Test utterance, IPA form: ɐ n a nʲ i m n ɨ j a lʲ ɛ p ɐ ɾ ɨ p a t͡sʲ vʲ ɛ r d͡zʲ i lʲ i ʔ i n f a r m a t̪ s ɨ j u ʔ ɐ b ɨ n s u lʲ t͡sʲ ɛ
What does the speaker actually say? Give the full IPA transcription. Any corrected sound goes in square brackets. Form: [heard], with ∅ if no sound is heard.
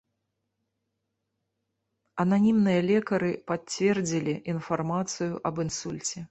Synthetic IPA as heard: ɐ n a nʲ i m n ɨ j [ɐ] lʲ ɛ [k] ɐ ɾ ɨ p a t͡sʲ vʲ ɛ r d͡zʲ i lʲ i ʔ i n f a r m a t̪ s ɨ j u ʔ ɐ b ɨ n s u lʲ t͡sʲ ɛ